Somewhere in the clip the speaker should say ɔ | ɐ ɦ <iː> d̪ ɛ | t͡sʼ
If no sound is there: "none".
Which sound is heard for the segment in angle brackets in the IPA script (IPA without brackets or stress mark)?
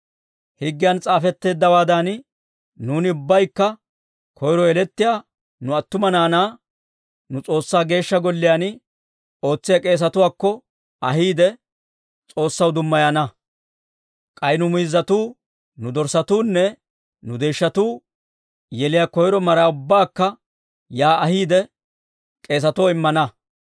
iː